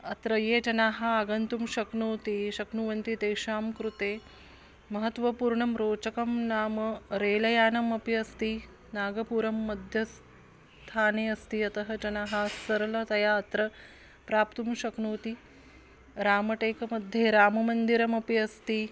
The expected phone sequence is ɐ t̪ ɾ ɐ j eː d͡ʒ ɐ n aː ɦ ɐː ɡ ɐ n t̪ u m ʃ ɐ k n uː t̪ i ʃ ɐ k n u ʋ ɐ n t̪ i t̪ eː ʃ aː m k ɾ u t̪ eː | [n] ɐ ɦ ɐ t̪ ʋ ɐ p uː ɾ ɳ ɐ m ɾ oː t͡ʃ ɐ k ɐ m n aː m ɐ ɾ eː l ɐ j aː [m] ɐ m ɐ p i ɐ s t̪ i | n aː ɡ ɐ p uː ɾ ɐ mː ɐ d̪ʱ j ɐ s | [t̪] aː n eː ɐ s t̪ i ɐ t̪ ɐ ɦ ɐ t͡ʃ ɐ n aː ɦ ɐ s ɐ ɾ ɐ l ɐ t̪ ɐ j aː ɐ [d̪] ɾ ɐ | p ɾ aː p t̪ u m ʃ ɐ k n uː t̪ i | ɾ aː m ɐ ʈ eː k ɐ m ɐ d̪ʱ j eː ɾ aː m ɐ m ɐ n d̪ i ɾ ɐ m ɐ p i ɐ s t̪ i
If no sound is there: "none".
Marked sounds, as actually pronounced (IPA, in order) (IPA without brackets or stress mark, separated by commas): m, n, t̪ʰ, t̪